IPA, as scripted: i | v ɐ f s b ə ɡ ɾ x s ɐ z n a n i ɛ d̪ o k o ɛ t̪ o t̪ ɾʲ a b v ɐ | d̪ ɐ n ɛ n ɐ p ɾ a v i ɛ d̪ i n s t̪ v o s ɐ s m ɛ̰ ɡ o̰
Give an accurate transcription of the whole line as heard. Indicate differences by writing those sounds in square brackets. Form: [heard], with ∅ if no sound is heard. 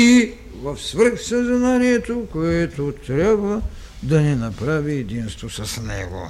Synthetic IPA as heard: i | v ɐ f s [v] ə [∅] ɾ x s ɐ z n a n i ɛ [t̪] o k o ɛ t̪ o t̪ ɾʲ a b v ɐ | d̪ ɐ n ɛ n ɐ p ɾ a v i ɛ d̪ i n s t̪ v o s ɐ s [n] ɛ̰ ɡ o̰